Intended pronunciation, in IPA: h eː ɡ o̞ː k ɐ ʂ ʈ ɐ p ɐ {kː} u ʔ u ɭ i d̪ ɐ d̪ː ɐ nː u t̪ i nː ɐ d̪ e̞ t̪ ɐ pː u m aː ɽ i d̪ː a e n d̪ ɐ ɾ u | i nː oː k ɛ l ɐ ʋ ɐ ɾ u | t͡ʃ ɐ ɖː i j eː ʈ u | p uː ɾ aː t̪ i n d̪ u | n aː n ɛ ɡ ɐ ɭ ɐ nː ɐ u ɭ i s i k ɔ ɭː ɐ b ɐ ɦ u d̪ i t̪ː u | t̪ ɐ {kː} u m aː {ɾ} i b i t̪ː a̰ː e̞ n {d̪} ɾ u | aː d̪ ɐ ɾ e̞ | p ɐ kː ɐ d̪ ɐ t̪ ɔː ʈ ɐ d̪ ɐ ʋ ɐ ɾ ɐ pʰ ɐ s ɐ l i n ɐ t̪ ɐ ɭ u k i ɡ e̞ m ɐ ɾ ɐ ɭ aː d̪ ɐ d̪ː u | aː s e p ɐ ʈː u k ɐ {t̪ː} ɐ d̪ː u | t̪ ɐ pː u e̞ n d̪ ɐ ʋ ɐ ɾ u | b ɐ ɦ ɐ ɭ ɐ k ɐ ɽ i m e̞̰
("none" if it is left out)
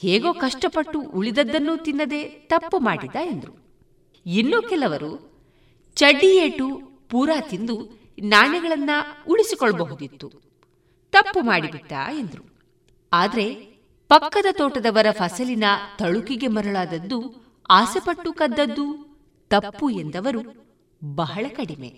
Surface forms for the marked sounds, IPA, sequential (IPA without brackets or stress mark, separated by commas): ʈː, pː, ɽ, d̪, d̪ː